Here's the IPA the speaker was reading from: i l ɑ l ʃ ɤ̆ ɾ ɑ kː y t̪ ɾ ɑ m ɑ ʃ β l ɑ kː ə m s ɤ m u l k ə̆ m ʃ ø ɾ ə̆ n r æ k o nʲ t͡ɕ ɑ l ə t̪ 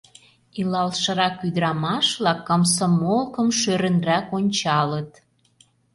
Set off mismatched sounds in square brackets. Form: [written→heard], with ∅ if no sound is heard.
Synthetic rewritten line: i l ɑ l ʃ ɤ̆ ɾ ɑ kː y [t̪→d̪] ɾ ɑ m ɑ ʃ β l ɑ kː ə m s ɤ m [u→o] l k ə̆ m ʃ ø ɾ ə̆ n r æ k o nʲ t͡ɕ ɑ l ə t̪